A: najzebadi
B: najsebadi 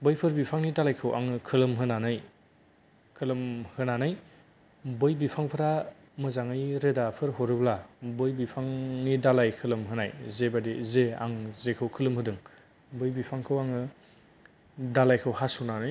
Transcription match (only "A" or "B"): A